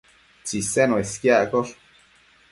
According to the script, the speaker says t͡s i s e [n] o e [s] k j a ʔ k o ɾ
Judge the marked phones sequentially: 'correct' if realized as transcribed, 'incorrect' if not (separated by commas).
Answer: correct, correct